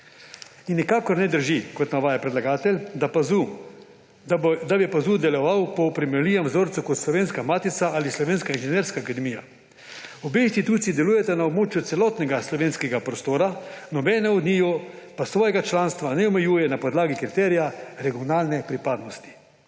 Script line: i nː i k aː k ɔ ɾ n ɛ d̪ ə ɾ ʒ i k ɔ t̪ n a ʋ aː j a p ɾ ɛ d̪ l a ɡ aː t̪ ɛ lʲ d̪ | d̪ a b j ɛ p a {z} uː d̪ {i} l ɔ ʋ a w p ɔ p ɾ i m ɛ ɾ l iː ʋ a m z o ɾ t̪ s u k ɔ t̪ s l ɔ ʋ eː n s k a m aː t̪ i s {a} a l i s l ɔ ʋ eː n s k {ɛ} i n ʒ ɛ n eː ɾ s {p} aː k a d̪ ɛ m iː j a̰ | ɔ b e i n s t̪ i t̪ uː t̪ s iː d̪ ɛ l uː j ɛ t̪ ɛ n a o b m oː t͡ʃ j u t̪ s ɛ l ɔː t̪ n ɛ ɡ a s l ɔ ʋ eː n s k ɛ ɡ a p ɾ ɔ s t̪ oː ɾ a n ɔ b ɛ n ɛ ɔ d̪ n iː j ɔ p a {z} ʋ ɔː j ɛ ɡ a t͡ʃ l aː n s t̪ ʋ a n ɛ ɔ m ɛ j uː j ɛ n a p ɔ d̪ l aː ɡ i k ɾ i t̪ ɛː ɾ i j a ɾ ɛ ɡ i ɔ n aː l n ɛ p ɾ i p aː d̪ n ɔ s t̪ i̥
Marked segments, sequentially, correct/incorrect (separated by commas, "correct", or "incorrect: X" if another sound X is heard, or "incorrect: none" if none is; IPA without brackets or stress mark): correct, incorrect: ɛ, correct, incorrect: a, incorrect: k, incorrect: s